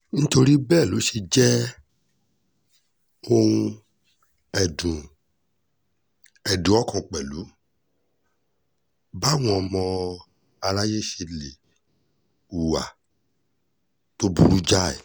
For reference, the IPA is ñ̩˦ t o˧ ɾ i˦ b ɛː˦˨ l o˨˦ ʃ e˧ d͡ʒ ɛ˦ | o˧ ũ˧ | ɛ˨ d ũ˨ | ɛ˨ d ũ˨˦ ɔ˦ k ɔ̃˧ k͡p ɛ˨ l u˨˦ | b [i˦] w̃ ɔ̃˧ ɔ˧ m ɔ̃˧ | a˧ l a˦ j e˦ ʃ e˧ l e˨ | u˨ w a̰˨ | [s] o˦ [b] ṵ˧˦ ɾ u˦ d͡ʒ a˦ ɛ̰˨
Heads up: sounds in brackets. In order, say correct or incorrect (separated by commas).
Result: incorrect, incorrect, correct